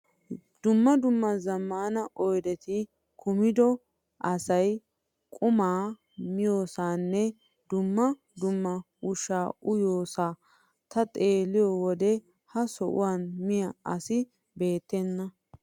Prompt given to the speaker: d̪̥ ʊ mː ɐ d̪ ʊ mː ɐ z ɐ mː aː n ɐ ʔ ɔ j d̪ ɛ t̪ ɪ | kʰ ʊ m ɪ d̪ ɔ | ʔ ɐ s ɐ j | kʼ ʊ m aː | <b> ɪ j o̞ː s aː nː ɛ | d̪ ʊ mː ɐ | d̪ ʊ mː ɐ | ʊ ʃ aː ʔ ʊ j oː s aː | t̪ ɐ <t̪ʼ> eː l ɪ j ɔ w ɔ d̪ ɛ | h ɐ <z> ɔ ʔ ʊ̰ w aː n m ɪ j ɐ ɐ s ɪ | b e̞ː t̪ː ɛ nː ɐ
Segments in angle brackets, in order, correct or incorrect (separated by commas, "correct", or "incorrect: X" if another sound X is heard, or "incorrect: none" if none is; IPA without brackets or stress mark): incorrect: m, correct, incorrect: s